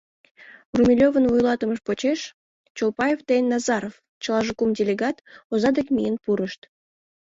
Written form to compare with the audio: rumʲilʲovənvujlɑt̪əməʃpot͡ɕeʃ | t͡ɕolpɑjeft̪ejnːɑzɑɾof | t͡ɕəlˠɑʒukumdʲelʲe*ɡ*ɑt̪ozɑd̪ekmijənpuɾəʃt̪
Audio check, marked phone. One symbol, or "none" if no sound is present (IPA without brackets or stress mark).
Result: ɡ